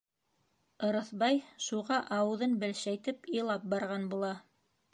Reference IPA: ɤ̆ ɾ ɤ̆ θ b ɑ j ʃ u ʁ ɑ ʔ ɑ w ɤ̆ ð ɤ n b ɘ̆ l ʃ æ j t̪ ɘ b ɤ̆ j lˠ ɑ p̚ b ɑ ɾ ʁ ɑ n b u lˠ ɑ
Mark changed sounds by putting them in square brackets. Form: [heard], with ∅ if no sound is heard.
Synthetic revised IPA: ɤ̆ ɾ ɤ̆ θ b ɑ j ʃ u ʁ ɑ ʔ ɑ w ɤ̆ ð ɤ n b ɘ̆ l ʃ æ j t̪ ɘ [p] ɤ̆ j lˠ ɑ p̚ b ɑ ɾ ʁ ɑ n b u lˠ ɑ